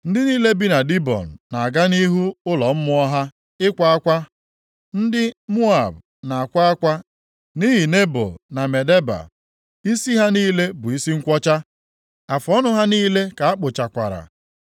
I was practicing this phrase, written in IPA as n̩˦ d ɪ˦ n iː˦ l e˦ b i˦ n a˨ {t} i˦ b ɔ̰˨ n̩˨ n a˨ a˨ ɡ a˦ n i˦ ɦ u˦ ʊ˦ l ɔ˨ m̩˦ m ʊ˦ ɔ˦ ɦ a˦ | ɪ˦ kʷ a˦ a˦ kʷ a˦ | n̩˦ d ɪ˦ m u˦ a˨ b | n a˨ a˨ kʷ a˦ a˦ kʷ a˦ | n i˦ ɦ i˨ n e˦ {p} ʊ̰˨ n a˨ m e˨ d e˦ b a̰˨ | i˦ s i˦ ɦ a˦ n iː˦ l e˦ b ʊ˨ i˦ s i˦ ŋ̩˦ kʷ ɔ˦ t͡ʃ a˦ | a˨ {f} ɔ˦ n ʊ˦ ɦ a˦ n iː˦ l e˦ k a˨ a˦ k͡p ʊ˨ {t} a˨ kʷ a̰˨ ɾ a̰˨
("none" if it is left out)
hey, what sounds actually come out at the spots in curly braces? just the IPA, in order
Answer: d, b, f, t͡ʃ

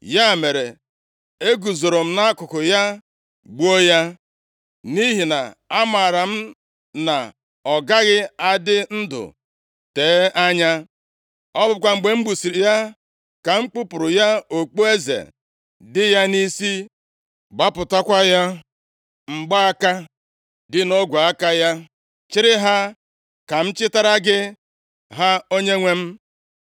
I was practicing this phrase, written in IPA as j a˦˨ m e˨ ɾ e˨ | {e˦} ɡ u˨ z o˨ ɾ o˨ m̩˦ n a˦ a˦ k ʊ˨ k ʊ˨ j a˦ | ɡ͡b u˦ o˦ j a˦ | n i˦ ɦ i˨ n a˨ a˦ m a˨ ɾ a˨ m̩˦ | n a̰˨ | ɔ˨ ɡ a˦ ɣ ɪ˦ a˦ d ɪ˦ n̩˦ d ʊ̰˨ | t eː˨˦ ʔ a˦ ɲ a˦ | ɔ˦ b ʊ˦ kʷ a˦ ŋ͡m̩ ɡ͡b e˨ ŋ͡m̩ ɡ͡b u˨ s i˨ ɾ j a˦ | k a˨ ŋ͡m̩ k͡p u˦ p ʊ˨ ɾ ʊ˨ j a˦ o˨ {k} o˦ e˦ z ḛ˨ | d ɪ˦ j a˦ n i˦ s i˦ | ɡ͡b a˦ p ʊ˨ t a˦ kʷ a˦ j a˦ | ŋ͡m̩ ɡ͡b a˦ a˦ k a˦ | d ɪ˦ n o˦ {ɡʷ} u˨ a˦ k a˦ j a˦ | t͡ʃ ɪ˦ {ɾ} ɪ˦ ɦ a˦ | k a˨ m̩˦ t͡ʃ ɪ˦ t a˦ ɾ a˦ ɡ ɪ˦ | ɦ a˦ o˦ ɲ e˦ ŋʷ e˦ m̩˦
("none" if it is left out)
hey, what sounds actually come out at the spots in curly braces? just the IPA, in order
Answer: e˦, k͡p, ɡʷ, ɾ

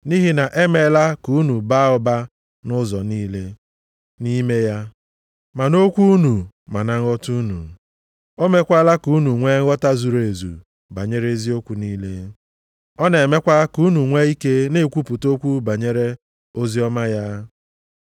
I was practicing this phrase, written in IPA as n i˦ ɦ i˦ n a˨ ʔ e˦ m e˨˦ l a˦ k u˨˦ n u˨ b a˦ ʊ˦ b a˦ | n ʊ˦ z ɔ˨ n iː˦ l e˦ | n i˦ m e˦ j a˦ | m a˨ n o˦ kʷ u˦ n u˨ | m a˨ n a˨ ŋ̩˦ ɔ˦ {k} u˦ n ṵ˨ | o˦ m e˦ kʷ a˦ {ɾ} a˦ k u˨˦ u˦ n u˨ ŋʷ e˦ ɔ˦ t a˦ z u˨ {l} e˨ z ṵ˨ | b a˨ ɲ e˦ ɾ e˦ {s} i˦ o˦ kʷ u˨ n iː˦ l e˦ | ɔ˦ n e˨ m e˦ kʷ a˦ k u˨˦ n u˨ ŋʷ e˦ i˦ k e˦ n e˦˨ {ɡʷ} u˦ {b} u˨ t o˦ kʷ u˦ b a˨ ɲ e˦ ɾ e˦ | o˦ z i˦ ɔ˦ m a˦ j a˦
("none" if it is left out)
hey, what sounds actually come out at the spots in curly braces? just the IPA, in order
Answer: t, l, ɾ, z, kʷ, p

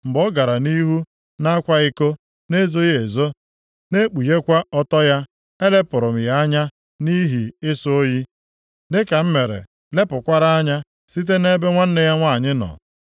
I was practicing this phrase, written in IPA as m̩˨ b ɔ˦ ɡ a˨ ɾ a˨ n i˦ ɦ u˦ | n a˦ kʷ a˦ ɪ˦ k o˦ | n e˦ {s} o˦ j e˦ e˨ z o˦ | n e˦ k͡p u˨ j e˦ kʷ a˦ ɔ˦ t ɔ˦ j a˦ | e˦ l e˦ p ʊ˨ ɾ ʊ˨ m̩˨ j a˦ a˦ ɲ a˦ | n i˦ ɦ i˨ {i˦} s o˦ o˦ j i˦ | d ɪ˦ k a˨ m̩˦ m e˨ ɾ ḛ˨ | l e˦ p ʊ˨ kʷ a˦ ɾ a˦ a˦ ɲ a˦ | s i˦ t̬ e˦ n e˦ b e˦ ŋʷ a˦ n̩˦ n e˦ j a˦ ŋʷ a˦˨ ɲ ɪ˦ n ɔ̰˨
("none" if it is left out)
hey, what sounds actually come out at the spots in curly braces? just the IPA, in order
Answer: z, ɪ˦

